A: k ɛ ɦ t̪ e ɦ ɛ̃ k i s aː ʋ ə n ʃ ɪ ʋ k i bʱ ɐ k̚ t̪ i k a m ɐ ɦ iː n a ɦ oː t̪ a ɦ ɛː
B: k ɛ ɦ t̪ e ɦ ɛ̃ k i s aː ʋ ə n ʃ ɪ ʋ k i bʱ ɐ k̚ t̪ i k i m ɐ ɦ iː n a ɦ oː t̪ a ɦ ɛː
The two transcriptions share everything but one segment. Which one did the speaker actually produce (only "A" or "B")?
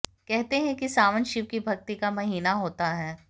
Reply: A